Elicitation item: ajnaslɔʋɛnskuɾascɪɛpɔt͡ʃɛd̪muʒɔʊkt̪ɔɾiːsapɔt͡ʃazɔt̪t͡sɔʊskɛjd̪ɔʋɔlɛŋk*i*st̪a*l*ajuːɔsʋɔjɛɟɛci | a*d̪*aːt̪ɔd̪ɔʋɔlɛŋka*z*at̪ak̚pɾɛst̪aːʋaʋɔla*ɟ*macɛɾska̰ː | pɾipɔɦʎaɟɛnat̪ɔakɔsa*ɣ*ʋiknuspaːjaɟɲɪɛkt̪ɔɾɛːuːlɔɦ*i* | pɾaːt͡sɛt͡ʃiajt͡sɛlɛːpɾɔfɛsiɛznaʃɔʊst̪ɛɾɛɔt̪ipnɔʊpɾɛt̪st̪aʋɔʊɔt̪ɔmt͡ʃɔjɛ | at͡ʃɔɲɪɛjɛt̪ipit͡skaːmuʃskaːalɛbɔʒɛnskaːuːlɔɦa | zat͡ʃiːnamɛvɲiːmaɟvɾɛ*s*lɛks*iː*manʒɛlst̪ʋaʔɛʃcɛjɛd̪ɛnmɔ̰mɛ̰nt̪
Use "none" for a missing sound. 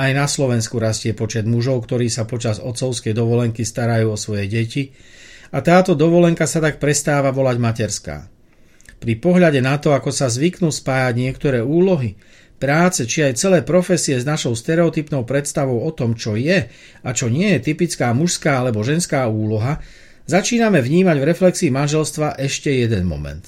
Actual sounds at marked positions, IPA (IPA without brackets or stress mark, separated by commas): i, ɾ, t̪, s, ɟ, z, i, f, iː